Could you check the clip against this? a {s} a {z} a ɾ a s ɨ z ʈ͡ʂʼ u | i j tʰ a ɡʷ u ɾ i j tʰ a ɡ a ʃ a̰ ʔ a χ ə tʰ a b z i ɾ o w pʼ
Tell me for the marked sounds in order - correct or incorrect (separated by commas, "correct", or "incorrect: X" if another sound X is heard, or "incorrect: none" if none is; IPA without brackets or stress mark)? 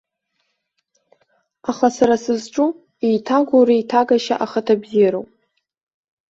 incorrect: χ, incorrect: s